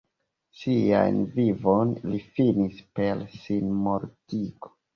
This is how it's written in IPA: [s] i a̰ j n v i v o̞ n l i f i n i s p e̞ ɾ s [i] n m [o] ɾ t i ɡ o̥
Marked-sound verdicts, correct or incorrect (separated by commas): correct, correct, correct